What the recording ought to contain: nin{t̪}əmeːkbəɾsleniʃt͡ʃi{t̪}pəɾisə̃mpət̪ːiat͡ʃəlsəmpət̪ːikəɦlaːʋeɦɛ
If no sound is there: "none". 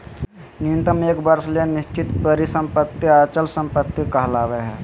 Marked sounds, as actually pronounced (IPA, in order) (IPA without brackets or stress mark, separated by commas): t̪, t̪